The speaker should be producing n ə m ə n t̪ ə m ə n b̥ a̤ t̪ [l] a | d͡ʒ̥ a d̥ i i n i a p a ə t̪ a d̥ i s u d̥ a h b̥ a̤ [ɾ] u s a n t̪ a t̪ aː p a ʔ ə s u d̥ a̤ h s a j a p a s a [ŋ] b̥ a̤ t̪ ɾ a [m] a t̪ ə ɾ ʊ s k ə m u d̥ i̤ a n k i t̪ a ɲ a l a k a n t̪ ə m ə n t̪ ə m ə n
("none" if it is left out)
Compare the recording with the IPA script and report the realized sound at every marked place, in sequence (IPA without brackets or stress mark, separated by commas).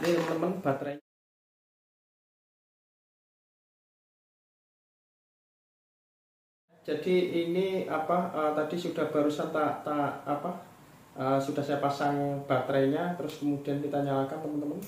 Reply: ɾ, ɾ, ŋ, ɲ